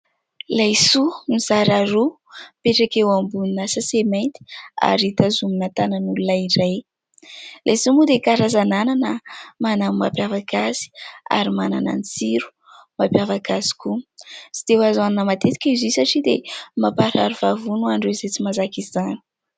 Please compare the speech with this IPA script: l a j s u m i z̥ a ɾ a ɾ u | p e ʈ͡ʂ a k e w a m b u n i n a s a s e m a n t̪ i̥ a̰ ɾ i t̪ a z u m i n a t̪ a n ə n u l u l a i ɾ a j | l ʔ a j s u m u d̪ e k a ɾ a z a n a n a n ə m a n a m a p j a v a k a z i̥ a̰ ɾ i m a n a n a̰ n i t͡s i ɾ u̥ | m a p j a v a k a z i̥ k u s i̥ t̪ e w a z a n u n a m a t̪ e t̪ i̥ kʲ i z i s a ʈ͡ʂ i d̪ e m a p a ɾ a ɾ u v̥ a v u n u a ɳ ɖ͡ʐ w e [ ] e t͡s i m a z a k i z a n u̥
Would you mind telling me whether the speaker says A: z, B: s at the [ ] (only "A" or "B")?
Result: A